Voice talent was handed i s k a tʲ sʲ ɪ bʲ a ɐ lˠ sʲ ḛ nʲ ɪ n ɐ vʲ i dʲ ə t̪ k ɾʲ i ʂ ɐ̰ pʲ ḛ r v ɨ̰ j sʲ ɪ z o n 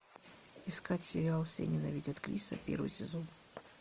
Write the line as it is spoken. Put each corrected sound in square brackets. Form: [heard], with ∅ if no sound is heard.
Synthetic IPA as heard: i s k a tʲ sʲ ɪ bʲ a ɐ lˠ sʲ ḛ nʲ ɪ n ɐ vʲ i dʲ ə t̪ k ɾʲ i [s] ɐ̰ pʲ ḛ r v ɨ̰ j sʲ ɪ z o n